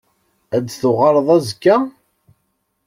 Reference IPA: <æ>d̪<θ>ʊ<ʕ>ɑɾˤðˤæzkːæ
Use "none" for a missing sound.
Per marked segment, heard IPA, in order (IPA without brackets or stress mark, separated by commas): æ, θ, ʁ